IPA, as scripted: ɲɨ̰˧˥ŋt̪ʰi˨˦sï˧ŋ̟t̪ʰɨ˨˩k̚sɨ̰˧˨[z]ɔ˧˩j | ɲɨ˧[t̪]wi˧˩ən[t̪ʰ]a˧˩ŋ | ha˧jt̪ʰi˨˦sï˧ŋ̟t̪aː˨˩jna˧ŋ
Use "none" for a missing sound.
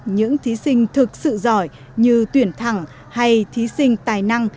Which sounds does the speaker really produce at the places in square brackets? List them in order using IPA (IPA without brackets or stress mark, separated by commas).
z, t̪, t̪ʰ